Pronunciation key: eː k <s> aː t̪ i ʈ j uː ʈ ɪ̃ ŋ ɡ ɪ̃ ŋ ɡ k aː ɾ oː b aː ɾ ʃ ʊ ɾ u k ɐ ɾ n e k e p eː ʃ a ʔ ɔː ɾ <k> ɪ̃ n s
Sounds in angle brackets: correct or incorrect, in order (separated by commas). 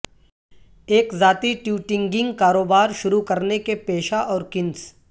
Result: incorrect, correct